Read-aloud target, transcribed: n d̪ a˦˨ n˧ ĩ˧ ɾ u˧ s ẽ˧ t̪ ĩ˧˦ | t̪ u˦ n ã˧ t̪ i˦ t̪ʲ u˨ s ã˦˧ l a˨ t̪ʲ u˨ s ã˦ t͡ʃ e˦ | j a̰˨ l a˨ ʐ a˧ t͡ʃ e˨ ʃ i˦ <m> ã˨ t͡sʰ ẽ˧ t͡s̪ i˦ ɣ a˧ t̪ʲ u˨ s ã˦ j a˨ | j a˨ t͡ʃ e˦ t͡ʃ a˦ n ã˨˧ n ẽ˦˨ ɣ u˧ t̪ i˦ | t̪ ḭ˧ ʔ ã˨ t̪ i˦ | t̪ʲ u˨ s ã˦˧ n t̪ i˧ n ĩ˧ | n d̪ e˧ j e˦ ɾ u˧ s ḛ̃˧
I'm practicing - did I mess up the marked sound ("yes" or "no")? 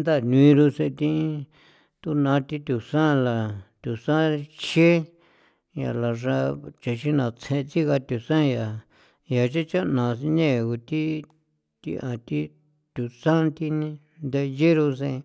yes